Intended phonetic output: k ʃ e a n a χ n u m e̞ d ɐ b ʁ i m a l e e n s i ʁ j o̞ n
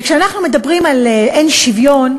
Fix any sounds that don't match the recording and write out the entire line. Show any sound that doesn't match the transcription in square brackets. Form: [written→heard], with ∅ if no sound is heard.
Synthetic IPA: k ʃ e a n a χ n u m e̞ d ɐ b ʁ i m a l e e n [s→ʃ] i [ʁ→v] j o̞ n